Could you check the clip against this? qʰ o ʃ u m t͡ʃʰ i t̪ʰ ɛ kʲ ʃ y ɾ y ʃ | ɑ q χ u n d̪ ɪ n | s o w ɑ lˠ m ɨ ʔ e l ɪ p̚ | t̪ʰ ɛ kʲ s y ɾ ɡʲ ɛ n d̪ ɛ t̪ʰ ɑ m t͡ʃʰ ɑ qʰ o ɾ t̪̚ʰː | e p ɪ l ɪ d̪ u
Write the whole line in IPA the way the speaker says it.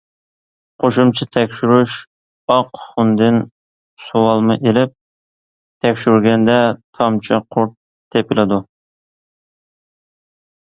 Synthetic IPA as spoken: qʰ o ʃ u m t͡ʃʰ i t̪ʰ ɛ kʲ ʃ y ɾ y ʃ | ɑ q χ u n d̪ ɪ n | s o w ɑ lˠ m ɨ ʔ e l ɪ p̚ | t̪ʰ ɛ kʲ ʃ y ɾ ɡʲ ɛ n d̪ ɛ t̪ʰ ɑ m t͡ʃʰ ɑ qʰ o ɾ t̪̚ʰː | e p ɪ l ɪ d̪ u